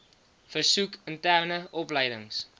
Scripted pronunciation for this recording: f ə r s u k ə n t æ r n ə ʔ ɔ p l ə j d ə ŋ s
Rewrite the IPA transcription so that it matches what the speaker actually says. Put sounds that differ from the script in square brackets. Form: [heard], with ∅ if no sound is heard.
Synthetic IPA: f ə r s u k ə n t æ r n ə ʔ ɔ p l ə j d ə ŋ s